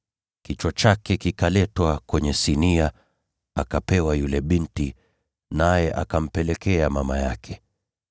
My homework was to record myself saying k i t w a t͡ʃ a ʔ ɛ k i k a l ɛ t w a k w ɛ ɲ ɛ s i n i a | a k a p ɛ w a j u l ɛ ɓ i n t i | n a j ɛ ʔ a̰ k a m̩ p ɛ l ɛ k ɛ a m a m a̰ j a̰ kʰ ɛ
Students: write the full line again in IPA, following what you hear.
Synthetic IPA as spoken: k i t͡ʃ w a t͡ʃ a k ɛ k i k a l ɛ t w a k w ɛ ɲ ɛ s i n i a | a k a p ɛ w a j u l ɛ ɓ i n t i | n a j ɛ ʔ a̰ k a m̩ p ɛ l ɛ k ɛ a m a m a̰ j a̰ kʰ ɛ